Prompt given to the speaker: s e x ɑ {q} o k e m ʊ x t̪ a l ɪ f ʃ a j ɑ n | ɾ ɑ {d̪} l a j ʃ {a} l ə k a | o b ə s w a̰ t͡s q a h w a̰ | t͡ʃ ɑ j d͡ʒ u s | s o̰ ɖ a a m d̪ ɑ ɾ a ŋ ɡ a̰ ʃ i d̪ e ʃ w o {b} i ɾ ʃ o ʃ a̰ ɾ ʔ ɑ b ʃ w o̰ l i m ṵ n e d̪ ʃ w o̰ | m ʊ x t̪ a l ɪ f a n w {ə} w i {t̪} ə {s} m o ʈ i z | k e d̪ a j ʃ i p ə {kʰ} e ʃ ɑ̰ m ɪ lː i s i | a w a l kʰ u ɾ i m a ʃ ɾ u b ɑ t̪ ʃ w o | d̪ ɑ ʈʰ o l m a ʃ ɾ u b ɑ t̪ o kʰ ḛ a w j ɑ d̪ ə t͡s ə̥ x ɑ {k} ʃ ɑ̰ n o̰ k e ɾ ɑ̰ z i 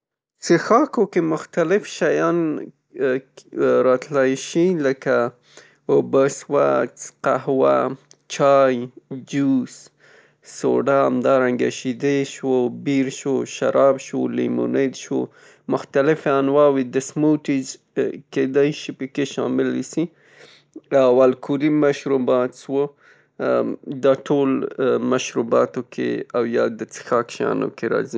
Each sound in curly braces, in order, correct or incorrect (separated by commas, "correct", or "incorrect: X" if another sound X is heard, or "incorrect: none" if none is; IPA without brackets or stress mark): incorrect: k, incorrect: t̪, incorrect: i, correct, incorrect: ɑ, incorrect: d̪, correct, incorrect: k, correct